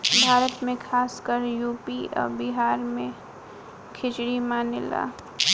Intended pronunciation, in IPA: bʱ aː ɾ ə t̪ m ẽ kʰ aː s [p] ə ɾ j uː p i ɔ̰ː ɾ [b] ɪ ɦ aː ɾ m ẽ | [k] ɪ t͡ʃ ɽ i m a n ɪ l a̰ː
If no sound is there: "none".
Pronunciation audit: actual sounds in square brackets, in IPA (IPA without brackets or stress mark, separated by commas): k, b, kʰ